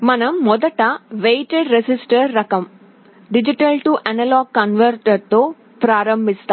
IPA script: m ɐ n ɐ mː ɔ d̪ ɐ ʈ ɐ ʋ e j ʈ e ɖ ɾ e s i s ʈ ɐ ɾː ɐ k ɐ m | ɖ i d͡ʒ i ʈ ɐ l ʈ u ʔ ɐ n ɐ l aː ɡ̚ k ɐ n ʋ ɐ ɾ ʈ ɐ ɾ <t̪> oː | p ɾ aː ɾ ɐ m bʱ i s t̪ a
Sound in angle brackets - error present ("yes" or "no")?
no